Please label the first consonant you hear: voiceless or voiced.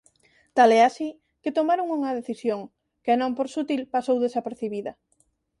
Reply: voiceless